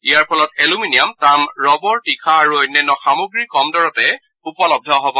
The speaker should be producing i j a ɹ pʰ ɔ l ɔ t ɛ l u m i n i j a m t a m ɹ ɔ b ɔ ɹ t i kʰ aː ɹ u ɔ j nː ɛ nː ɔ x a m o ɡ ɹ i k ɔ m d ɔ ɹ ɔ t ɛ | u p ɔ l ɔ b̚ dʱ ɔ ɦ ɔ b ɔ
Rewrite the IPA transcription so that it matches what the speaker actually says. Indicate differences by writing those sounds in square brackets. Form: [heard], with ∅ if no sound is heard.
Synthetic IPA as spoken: i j a ɹ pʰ ɔ l ɔ t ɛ l u m i n i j a m t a m ɹ ɔ b ɔ ɹ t i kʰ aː ɹ u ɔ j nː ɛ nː ɔ x a m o ɡ ɹ i k ɔ m d ɔ ɹ ɔ t ɛ | u p ɔ l ɔ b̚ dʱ ɔ ɦ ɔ b ɔ